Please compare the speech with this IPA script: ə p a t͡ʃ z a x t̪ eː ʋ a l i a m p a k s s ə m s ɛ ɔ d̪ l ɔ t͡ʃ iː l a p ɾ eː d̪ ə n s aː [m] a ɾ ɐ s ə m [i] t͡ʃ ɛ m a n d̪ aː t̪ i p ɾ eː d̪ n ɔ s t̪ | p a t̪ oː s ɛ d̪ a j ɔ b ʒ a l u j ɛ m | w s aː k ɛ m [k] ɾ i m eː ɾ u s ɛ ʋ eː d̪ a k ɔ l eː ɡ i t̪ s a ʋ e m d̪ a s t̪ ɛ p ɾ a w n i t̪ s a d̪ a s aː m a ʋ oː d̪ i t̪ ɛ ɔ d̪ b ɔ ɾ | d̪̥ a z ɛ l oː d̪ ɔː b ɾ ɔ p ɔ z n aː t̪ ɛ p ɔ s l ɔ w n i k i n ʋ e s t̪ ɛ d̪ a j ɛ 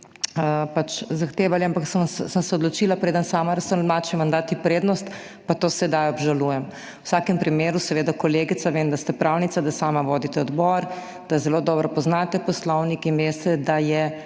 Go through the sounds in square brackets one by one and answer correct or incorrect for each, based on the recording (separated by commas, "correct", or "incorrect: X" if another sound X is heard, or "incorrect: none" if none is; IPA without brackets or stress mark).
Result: correct, incorrect: a, incorrect: p